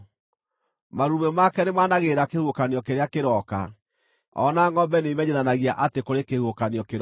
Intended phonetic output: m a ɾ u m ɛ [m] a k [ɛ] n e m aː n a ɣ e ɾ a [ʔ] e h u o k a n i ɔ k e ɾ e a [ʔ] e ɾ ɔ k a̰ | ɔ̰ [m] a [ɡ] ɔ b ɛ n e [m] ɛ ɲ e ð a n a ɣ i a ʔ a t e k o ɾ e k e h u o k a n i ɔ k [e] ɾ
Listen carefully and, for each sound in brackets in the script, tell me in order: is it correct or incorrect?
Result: correct, correct, incorrect: k, incorrect: k, incorrect: n, incorrect: ŋ, correct, correct

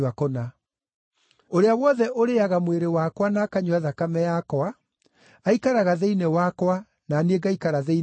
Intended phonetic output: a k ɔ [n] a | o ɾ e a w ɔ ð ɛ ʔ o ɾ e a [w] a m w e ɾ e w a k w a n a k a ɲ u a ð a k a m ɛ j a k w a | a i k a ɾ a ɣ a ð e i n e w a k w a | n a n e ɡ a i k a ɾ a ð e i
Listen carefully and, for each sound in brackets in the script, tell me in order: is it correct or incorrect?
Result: correct, incorrect: ɣ

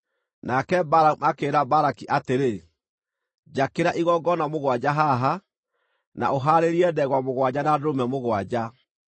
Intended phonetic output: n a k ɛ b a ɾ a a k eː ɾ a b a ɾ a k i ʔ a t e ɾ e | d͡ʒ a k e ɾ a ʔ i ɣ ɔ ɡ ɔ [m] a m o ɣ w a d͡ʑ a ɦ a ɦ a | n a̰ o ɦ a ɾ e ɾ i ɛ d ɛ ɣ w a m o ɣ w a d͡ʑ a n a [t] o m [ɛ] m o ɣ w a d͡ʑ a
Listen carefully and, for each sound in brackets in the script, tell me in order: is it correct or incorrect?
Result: incorrect: n, incorrect: d, correct

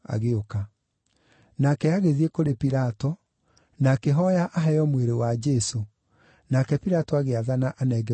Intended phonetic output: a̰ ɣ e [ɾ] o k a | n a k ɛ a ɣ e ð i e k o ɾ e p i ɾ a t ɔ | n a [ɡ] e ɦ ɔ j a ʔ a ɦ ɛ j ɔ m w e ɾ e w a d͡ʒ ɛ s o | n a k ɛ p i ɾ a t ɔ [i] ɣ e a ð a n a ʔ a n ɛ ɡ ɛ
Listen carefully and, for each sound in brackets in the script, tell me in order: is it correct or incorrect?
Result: incorrect: none, incorrect: k, incorrect: a

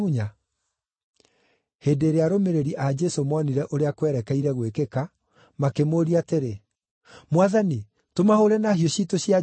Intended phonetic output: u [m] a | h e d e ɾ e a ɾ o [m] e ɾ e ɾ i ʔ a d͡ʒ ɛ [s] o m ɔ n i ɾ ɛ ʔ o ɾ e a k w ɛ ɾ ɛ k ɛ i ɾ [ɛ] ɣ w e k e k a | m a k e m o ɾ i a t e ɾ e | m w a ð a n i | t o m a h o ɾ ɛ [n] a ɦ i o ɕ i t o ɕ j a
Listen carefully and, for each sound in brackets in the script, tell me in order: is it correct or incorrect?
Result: incorrect: ɲ, correct, correct, correct, correct

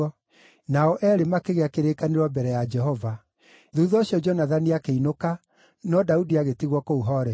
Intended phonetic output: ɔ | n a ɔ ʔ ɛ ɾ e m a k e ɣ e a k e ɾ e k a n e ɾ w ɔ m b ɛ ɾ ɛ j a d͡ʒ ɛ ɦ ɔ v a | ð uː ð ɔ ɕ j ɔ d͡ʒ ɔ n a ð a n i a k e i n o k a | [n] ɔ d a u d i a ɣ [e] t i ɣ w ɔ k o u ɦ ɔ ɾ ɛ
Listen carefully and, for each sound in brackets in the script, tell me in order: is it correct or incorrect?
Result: correct, correct

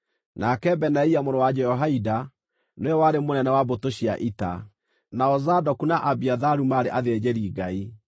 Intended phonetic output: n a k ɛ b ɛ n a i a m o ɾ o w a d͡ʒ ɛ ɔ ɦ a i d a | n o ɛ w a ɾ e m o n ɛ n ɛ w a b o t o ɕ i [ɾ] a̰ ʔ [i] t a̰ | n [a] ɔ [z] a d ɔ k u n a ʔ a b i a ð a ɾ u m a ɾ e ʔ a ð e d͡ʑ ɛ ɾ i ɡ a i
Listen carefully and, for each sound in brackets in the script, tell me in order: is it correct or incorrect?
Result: incorrect: none, correct, correct, correct

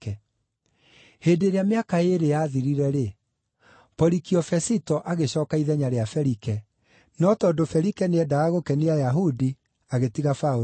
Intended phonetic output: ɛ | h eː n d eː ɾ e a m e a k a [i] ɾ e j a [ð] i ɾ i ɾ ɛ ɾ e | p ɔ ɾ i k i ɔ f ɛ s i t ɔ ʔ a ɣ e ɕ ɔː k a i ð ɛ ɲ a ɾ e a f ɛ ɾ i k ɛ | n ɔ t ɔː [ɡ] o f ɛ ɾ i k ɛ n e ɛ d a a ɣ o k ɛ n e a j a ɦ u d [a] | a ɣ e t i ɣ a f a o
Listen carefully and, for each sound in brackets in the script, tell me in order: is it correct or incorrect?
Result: incorrect: e, correct, incorrect: d, incorrect: i

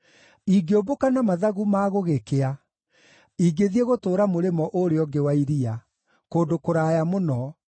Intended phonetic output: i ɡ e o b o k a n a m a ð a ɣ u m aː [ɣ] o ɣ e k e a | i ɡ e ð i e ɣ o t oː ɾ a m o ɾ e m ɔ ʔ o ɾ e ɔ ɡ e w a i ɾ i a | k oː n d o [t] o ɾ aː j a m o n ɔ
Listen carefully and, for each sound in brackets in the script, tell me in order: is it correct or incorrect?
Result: correct, incorrect: k

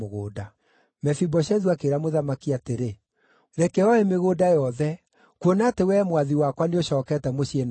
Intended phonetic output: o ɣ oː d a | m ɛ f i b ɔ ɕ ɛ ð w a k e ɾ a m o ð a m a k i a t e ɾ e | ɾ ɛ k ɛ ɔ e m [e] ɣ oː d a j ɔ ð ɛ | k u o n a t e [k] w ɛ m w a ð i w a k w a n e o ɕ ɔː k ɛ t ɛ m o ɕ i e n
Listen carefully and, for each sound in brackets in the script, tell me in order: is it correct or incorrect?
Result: correct, incorrect: none

